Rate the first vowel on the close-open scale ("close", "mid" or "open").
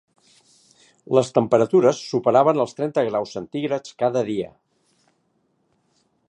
mid